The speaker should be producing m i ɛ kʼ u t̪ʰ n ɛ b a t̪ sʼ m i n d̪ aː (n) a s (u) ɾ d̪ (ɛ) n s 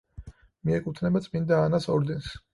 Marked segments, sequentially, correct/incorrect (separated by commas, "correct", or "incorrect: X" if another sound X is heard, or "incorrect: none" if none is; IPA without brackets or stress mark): correct, incorrect: ɔ, correct